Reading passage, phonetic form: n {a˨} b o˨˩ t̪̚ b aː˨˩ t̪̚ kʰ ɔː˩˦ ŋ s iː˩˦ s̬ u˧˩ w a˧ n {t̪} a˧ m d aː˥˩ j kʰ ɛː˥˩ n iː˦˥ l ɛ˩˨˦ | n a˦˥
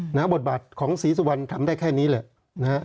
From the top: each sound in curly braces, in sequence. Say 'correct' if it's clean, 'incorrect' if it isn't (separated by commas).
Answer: incorrect, incorrect